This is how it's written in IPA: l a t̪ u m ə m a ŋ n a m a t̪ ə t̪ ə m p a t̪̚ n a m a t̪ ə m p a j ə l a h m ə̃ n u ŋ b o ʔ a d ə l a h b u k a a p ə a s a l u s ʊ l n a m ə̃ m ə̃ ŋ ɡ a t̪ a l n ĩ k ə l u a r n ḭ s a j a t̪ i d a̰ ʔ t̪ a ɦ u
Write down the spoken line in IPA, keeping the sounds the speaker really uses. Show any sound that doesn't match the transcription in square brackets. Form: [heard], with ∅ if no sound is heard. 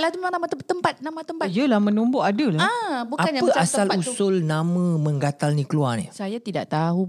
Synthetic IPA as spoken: l a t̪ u m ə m a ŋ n a m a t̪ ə t̪ ə m p a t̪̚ n a m a t̪ ə m p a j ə l a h m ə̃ n u [m] b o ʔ a d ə l a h b u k a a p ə a s a l u s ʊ l n a m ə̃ m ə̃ ŋ ɡ a t̪ a l n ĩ k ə l u a r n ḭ s a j a t̪ i d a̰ ʔ t̪ a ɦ u